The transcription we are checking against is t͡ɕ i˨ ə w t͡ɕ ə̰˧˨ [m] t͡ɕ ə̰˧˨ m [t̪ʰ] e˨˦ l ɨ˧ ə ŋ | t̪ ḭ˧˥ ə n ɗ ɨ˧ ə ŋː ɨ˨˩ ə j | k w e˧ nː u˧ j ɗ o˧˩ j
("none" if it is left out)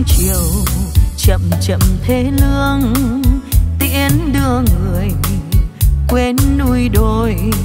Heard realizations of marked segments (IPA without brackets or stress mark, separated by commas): m, t̪ʰ